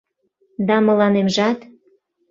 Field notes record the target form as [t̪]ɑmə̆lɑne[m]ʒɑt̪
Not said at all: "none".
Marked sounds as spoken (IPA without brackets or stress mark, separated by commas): d̪, m